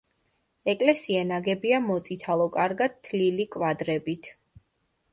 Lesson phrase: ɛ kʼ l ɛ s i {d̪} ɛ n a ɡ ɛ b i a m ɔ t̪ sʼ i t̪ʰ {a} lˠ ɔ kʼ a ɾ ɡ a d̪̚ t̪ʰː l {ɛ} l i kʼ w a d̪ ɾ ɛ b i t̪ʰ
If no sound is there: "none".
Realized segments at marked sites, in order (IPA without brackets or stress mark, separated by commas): none, a, i